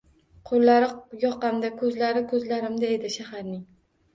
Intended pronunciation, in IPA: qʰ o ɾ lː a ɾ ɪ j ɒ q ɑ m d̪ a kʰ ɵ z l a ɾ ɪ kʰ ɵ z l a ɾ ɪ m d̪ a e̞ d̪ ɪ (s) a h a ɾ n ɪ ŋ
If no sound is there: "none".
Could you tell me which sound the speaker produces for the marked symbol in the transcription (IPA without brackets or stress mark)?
ʃ